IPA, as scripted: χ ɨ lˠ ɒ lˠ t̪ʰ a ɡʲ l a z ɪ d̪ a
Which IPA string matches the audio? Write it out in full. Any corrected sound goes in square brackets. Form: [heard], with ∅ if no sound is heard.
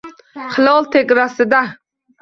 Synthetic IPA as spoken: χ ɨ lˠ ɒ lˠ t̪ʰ [e] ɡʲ [ɾ] a [s] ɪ d̪ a